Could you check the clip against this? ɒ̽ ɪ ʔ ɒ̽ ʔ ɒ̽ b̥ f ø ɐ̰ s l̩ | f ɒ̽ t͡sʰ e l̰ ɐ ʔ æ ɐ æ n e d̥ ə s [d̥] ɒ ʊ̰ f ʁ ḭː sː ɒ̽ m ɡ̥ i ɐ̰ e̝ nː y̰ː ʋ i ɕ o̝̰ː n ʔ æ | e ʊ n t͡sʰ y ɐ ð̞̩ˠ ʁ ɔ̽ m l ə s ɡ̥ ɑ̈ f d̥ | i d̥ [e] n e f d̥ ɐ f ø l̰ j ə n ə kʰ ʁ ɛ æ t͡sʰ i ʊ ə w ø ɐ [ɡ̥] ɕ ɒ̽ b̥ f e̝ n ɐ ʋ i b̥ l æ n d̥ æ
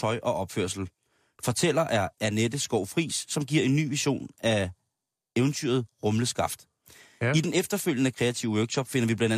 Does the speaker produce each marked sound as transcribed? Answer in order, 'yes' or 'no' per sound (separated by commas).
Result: no, yes, yes